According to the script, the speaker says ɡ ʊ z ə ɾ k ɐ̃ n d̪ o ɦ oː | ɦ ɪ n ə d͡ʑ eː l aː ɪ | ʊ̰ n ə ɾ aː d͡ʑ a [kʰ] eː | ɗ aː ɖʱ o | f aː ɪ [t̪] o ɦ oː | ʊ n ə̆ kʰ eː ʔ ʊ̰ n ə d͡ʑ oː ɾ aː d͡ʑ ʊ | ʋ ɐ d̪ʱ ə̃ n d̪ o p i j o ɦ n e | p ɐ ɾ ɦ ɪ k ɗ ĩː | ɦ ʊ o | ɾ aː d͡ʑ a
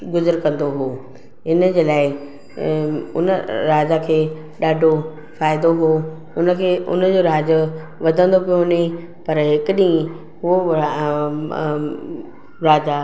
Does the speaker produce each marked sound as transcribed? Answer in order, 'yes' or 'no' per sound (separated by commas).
yes, no